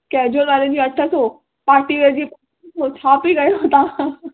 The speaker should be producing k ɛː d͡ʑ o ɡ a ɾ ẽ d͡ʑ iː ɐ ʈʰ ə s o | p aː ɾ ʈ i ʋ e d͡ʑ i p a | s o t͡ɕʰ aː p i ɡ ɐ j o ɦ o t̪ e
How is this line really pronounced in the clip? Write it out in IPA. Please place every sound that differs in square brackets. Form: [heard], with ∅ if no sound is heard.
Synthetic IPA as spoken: k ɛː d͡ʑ o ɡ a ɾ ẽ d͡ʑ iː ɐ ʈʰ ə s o | p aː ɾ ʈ i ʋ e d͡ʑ i p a | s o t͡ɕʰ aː p i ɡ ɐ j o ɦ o t̪ [a]